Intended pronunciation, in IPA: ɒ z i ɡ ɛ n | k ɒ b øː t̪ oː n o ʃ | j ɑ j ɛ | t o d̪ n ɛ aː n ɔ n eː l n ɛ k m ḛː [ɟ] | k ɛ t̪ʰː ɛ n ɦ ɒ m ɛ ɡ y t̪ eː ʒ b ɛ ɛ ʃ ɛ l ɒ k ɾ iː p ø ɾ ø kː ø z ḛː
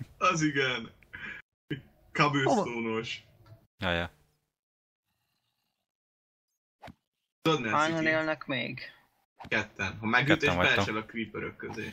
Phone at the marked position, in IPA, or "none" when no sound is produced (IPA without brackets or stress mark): ɡ